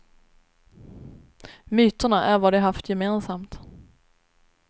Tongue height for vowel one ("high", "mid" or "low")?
high